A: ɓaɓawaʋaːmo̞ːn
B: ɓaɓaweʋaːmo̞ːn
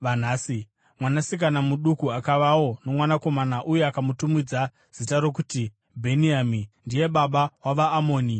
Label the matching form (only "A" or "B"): A